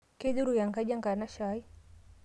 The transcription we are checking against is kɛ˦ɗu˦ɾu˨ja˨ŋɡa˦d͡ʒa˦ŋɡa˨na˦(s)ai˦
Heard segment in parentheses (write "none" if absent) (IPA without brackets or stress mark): ʃ